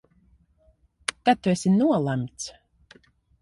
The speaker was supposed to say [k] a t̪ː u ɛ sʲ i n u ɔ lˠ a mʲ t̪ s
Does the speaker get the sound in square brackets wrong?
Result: no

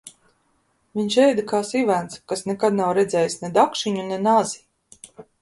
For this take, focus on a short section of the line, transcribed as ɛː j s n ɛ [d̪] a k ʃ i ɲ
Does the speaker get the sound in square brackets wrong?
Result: no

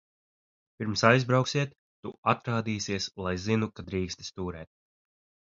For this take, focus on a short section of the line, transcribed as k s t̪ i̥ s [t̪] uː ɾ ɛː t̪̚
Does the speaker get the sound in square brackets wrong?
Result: no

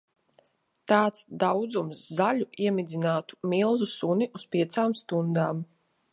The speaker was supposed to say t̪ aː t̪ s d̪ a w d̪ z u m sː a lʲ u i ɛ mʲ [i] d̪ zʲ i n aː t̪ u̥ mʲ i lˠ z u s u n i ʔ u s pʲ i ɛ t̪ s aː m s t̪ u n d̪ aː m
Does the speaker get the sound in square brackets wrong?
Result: no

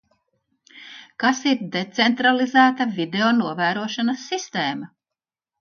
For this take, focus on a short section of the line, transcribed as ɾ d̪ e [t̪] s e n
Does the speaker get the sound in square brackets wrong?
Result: no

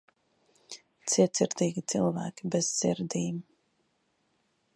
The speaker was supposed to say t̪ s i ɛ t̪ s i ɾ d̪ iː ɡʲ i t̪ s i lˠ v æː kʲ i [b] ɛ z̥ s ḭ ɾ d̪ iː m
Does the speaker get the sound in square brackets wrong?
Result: no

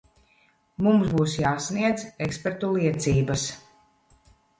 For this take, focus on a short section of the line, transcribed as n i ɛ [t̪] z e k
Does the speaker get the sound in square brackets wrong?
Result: yes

